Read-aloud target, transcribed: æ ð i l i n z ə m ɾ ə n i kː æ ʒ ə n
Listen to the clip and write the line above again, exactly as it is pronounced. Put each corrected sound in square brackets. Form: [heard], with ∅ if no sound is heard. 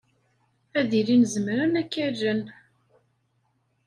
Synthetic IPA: æ ð i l i n z ə m ɾ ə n [æ] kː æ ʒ ə n